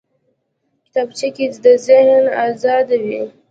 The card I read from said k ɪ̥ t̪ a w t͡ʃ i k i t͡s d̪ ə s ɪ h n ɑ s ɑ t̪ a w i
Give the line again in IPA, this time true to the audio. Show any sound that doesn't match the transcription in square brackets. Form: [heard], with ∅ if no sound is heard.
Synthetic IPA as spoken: k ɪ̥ t̪ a [b] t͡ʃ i k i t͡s d̪ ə [z] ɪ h n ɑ [z] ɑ [d̪] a w i

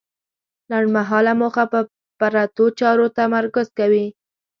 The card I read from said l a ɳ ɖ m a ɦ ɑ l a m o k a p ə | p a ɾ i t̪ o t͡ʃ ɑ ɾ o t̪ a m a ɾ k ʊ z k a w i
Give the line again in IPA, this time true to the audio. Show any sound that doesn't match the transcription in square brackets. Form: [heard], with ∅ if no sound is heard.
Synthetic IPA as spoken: l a ɳ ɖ m a ɦ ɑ l a m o [x] a p ə | p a ɾ [a] t̪ o t͡ʃ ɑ ɾ o t̪ a m a ɾ k ʊ z k a w i

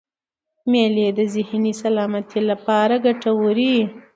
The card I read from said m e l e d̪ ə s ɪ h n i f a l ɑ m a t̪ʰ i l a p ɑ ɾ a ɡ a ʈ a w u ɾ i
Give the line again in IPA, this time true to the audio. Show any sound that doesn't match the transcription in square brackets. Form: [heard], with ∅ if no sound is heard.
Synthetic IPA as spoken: m e l e d̪ ə [z] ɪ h n i [s] a l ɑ m a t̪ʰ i l a p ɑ ɾ a ɡ a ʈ a w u ɾ i

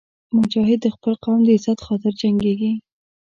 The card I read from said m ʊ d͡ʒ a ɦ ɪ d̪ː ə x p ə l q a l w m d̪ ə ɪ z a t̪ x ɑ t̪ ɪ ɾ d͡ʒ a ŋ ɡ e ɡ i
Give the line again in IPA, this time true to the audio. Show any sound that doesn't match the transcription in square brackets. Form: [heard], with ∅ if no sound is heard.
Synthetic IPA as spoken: m ʊ d͡ʒ [ɑ] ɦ ɪ d̪ː ə x p ə l q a [∅] w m d̪ ə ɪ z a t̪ x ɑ t̪ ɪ ɾ d͡ʒ a ŋ ɡ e ɡ i

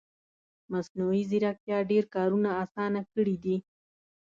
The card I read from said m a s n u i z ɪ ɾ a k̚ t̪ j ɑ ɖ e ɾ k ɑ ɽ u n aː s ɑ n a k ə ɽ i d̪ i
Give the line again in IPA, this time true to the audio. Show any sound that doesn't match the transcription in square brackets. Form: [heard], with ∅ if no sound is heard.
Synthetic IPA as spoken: m a s n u i z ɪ ɾ a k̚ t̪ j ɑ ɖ e ɾ k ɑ [ɾ] u n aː s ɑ n a k ə ɽ i d̪ i

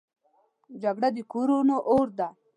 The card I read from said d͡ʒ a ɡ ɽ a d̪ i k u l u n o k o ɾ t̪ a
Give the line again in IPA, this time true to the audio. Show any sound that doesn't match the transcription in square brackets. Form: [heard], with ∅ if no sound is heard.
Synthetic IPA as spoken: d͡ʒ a ɡ ɽ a d̪ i k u [ɾ] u n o [ʔ] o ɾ [d̪] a

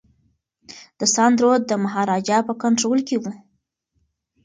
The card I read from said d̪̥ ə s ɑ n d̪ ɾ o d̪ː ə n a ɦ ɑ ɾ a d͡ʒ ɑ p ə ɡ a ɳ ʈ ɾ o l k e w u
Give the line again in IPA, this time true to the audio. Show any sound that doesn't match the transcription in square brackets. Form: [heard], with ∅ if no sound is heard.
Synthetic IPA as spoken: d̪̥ ə s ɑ n d̪ ɾ o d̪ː ə [m] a ɦ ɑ ɾ [ɑ] d͡ʒ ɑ p ə [k] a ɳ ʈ ɾ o l k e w u

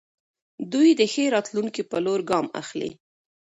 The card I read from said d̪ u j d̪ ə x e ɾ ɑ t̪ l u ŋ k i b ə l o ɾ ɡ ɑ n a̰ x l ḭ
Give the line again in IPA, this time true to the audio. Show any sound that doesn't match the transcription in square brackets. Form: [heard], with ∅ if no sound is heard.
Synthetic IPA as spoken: d̪ u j d̪ ə x e ɾ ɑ t̪ l u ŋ k i [p] ə l o ɾ ɡ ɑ [m] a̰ x l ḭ

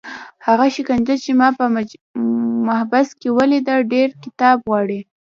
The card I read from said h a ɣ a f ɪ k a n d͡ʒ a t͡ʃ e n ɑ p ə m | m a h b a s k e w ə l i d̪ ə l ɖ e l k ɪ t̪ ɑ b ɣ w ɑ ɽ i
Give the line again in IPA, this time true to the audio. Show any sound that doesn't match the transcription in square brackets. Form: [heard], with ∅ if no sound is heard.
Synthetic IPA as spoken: h a ɣ a [ʃ] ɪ k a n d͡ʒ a t͡ʃ e [m] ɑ p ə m | m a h b a s k e w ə l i d̪ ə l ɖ e [ɾ] k ɪ t̪ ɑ b ɣ w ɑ ɽ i

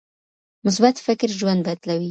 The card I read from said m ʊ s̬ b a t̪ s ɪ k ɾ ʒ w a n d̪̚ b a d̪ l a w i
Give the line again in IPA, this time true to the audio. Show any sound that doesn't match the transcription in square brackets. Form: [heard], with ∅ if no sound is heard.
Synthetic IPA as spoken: m ʊ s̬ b a t̪ [f] ɪ k ɾ ʒ w a n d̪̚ b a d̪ l a w i

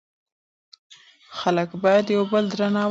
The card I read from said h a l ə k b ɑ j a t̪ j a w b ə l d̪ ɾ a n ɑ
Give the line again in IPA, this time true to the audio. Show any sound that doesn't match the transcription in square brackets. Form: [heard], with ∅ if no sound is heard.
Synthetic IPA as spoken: [x] a l ə k b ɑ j a [d̪] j a w b ə l d̪ ɾ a n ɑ

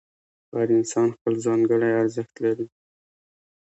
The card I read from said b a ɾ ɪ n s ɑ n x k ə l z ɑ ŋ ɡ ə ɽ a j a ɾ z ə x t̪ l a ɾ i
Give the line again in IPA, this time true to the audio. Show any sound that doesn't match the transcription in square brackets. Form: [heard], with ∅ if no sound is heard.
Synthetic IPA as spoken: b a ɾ ɪ n s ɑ n x [p] ə l z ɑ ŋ ɡ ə ɽ a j a ɾ z ə x t̪ l a ɾ i

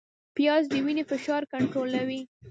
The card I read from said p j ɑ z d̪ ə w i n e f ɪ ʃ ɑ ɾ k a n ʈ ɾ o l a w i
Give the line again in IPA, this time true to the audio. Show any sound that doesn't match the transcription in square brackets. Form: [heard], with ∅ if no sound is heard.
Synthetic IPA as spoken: p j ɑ z d̪ ə w i n e f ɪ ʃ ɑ ɾ k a [ɳ] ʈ ɾ o l a w i

